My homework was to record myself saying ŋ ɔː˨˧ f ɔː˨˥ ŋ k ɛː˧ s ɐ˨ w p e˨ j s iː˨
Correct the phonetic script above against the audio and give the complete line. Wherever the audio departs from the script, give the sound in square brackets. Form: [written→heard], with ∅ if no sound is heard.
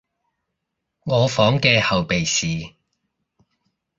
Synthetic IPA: ŋ ɔː˨˧ f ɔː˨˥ ŋ k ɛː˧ [s→h] ɐ˨ w p e˨ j s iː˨